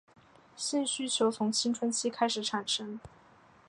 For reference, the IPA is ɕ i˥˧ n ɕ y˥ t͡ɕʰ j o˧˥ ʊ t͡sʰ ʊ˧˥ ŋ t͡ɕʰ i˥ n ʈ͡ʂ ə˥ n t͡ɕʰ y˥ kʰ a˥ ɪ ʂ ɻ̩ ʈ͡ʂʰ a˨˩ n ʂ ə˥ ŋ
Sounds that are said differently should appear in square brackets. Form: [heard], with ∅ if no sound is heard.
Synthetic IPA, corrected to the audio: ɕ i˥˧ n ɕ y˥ t͡ɕʰ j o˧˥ ʊ t͡sʰ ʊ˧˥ ŋ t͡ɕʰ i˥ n [ʈ͡ʂʰ] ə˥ n t͡ɕʰ [i˥] kʰ a˥ ɪ ʂ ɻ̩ ʈ͡ʂʰ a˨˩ n ʂ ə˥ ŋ